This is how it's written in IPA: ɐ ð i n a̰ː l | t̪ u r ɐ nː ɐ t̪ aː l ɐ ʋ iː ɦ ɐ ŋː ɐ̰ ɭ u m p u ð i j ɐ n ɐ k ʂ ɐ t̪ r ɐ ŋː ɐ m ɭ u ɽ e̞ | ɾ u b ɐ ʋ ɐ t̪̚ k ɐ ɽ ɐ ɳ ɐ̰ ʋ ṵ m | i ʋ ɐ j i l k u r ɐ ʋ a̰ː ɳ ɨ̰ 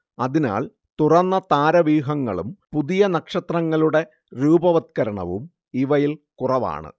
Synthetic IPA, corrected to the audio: ɐ ð i n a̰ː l | t̪ u r ɐ nː ɐ t̪ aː ɾ ɐ ʋ iː ɦ ɐ ŋː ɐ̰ ɭ u m p u ð i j ɐ n ɐ k ʂ ɐ t̪ r ɐ ŋː ɐ ɭ u ɽ e̞ | ɾ uː b ɐ ʋ ɐ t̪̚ k ɐ ɾ ɐ ɳ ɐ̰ ʋ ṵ m | i ʋ ɐ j i l k u r ɐ ʋ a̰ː ɳ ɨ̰

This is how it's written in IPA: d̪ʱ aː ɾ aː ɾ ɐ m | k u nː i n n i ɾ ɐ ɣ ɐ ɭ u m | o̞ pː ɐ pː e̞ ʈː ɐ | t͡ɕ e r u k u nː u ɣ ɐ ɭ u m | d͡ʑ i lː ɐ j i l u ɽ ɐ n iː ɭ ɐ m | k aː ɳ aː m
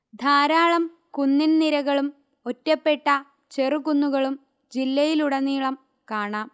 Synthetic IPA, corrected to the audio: d̪ʱ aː ɾ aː ɭ ɐ m | k u nː i n n i ɾ ɐ ɣ ɐ ɭ u m | o̞ tː ɐ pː e̞ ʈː ɐ | t͡ɕ e r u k u nː u ɣ ɐ ɭ u m | d͡ʑ i lː ɐ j i l u ɽ ɐ n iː ɭ ɐ m | k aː ɳ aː m

